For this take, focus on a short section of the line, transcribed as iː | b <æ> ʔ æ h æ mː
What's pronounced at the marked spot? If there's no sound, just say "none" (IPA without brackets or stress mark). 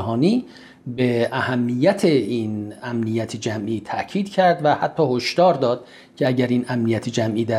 e